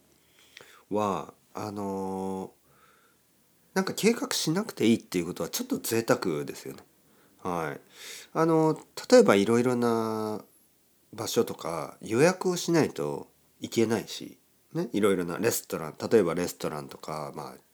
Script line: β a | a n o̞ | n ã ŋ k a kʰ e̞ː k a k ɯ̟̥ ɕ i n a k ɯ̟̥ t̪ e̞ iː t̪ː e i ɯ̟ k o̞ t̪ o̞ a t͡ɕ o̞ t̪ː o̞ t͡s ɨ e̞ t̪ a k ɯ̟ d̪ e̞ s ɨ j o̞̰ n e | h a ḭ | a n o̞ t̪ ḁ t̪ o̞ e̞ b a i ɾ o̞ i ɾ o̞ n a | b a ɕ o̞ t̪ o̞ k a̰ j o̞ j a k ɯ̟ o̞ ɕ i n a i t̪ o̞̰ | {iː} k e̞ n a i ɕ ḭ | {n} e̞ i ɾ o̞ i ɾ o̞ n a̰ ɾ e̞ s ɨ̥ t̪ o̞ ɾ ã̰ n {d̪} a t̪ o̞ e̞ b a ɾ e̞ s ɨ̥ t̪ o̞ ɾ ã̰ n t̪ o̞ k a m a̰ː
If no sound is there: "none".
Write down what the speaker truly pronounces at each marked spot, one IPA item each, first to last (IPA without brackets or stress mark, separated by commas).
i, n, t̪